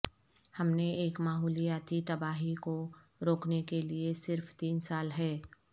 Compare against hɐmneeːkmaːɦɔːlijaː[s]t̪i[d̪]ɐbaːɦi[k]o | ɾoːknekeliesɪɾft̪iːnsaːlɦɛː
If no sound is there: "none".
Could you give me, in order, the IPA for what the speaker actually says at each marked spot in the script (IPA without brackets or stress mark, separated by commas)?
none, t̪, k